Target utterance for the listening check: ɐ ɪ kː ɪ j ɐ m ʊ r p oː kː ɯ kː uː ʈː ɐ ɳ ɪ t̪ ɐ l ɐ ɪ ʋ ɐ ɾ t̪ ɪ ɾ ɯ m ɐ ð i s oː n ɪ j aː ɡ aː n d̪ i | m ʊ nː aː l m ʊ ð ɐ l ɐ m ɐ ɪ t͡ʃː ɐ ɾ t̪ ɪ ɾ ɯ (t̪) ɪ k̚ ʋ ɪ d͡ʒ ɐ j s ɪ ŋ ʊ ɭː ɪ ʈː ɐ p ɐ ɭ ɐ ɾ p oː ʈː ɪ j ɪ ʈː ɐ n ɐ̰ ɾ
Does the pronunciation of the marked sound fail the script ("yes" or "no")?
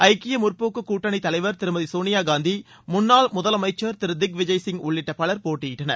yes